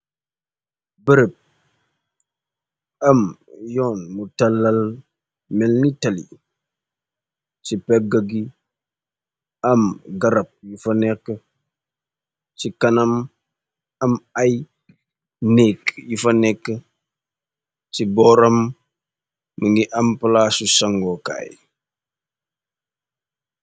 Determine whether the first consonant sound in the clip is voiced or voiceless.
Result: voiced